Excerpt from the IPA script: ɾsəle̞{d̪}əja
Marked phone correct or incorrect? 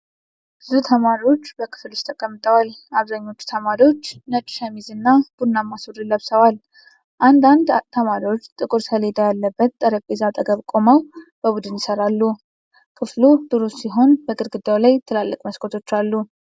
correct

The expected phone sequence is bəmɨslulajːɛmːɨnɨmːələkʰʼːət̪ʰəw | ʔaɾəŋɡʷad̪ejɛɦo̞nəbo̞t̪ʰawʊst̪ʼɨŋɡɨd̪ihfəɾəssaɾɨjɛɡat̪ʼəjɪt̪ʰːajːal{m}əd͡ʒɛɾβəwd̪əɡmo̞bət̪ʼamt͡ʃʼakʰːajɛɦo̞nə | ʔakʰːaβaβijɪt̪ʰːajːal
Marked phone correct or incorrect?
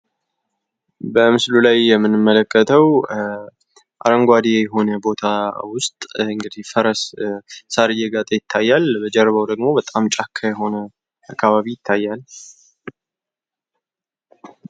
incorrect: b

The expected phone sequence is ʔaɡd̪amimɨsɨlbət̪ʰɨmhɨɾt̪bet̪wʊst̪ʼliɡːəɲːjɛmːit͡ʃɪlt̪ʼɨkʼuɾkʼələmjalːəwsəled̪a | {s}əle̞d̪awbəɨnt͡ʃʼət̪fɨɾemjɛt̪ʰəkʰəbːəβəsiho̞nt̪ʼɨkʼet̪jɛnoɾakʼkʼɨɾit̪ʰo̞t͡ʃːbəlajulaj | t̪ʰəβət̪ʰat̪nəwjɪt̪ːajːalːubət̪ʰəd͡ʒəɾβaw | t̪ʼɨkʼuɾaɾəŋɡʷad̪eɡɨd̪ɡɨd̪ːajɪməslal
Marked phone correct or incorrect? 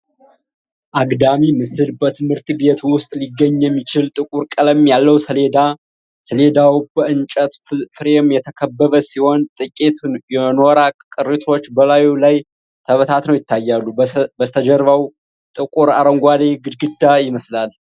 correct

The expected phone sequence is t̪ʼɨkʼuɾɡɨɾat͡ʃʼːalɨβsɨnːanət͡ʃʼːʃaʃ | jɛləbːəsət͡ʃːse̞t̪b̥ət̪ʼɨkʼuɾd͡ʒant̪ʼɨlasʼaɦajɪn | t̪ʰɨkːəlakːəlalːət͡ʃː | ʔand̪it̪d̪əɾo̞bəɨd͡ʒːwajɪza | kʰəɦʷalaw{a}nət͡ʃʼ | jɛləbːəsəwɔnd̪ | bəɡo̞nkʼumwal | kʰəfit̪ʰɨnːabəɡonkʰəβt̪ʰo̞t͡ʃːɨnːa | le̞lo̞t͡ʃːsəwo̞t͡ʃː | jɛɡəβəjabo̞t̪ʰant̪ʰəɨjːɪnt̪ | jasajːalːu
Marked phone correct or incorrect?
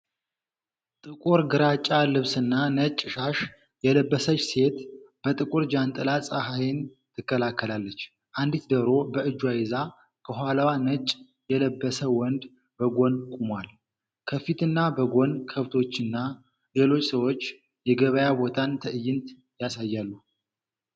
correct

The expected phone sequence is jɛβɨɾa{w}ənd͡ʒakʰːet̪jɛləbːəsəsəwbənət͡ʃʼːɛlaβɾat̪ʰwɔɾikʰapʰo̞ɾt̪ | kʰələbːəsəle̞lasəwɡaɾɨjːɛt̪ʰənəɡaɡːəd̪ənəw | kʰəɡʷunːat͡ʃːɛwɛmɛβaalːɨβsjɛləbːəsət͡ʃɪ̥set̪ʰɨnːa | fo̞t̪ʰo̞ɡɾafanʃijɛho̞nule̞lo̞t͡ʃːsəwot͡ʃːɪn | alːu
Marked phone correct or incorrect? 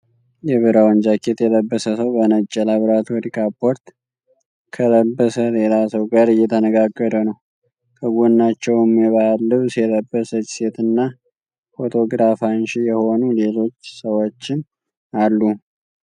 correct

